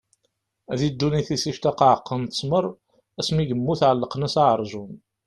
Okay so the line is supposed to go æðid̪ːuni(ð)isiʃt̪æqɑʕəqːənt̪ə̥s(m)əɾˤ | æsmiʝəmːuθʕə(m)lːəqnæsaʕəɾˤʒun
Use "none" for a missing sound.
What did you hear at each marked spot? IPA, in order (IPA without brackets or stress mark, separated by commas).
θ, m, none